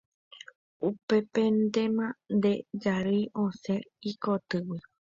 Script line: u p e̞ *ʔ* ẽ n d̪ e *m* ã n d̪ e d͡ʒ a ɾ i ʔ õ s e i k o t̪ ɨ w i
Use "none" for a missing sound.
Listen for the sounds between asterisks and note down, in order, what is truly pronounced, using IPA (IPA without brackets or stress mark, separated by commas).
p, m